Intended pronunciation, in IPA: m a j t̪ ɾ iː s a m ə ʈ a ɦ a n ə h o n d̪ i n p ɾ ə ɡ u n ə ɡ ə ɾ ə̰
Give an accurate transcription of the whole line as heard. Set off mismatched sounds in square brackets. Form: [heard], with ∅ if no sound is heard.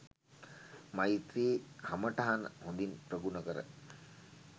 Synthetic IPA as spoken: m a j t̪ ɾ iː [h] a m ə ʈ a ɦ a n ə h o n d̪ i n p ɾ ə ɡ u n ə [k] ə ɾ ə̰